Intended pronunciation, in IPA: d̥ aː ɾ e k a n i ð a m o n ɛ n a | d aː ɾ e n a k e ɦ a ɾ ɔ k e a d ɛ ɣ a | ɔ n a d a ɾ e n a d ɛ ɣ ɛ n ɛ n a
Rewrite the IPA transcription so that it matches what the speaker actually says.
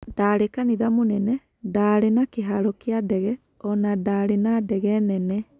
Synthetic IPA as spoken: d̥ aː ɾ e k a n i ð a m o n ɛ n ɛ | d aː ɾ e n a k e ɦ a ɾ ɔ k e a d ɛ ɣ ɛ | ɔ n a d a ɾ e n a d ɛ ɣ ɛ n ɛ n ɛ